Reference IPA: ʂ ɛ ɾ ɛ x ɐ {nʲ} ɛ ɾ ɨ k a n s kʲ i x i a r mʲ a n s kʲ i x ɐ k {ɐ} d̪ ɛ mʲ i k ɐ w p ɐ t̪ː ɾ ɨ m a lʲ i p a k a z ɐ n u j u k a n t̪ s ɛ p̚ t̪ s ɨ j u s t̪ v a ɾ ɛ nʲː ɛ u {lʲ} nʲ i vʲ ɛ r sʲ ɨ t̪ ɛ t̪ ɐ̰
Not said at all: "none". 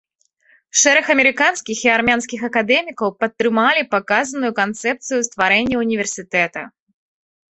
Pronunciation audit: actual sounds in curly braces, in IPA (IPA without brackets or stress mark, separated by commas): mʲ, a, none